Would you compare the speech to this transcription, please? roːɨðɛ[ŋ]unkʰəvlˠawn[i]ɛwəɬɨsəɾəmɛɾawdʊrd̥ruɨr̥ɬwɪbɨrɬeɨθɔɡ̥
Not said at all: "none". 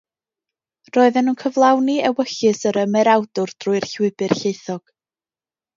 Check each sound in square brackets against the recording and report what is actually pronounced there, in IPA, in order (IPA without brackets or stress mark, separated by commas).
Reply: n, i